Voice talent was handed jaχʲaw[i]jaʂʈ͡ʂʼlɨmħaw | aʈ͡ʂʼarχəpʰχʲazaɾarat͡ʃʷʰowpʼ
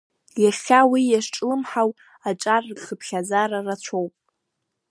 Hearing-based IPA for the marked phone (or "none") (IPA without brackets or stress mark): i